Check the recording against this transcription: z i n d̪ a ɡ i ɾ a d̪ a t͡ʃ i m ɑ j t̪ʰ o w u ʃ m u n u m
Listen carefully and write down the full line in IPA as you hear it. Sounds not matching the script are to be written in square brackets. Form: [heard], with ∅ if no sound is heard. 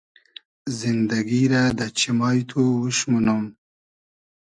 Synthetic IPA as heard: z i n d̪ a ɡ i ɾ a d̪ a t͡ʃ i m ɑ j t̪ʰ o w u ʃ m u n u m